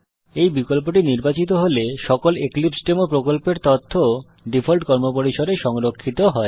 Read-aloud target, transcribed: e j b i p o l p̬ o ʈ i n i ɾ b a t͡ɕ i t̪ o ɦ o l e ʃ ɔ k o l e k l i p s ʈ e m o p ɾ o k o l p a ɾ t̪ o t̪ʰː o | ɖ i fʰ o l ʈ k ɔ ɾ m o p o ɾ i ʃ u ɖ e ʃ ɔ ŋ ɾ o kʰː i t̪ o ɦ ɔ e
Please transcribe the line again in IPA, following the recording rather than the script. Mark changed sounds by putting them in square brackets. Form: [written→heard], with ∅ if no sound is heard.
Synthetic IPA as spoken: e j b i [p→k] o l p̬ o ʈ i n i ɾ b a t͡ɕ i t̪ o ɦ o l e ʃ ɔ k o l e k l i p s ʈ e m o p ɾ o k o l p [a→e] ɾ t̪ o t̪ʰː o | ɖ i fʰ o l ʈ k ɔ ɾ m o p o ɾ i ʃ [u→o] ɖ e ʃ ɔ ŋ ɾ o kʰː i t̪ o ɦ ɔ e